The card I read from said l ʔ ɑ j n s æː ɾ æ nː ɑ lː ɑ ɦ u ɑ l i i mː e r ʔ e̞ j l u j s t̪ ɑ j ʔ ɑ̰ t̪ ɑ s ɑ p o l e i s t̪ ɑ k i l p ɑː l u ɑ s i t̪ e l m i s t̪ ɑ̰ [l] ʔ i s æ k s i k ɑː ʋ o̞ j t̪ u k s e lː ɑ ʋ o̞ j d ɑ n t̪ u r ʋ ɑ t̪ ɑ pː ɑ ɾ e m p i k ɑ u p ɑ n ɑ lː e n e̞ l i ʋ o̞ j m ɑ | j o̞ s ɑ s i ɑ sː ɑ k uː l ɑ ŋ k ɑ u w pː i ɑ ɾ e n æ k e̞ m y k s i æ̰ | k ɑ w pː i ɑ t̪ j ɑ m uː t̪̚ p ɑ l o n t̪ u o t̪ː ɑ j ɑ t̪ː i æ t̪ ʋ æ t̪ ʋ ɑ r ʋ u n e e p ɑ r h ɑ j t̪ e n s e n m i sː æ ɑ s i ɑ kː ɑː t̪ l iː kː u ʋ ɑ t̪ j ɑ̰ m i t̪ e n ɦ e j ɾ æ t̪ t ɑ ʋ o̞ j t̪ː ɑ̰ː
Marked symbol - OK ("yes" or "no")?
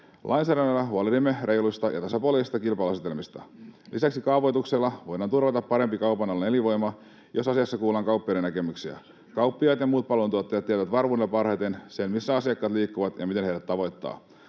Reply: yes